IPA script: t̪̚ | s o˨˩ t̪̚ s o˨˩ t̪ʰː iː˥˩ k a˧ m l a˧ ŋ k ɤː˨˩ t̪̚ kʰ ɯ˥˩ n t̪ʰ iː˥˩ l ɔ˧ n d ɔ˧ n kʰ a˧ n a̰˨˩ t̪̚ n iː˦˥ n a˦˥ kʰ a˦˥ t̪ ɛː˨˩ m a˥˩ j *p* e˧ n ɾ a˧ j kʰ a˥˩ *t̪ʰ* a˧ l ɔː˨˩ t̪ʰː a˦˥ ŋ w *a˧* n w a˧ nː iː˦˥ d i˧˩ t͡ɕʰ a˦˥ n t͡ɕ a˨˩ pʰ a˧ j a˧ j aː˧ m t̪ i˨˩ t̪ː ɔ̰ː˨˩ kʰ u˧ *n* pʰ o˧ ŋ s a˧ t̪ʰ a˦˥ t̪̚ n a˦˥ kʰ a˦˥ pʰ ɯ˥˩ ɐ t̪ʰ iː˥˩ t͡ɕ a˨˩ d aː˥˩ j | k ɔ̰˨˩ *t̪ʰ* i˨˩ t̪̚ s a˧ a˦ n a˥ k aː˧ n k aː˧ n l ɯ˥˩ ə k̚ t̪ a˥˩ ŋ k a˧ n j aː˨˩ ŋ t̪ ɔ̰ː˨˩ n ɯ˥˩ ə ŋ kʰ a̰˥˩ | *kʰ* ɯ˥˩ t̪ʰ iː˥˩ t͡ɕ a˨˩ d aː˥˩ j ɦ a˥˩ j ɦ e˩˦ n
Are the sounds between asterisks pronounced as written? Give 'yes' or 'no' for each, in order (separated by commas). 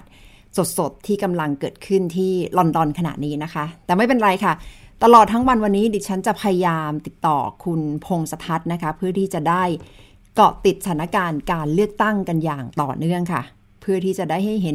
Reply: yes, no, yes, yes, no, no